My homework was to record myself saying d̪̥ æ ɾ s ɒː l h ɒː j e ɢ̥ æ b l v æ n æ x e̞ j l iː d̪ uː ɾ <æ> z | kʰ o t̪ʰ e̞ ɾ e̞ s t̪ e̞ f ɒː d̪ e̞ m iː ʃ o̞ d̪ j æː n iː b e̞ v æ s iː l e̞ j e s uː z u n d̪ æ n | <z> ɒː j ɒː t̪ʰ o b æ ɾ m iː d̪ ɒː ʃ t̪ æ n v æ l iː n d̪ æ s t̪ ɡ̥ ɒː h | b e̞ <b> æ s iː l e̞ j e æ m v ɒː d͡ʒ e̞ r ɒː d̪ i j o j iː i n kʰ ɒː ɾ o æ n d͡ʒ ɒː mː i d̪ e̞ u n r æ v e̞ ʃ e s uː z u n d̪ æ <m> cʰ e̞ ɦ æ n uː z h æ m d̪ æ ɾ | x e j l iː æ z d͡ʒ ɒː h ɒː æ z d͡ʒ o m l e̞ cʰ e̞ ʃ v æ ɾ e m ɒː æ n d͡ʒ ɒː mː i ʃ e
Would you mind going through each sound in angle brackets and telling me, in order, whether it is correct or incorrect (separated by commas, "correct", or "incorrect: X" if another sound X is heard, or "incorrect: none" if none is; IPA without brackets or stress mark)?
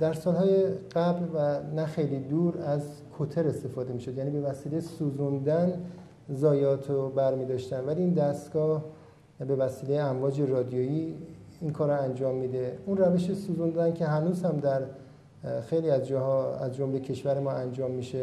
correct, correct, incorrect: v, incorrect: n